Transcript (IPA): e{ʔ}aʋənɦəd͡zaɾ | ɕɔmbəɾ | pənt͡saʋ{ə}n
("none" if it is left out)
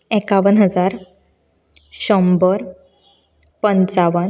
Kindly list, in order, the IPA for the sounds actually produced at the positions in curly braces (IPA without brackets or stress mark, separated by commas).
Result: k, ə